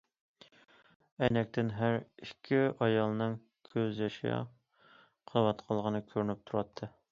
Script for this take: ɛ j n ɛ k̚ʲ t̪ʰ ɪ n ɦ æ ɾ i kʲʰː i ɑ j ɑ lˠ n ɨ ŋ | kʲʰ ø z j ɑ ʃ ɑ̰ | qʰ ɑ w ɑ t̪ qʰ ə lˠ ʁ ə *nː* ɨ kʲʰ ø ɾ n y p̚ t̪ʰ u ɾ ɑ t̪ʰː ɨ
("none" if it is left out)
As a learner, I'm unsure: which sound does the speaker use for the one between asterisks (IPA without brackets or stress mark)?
n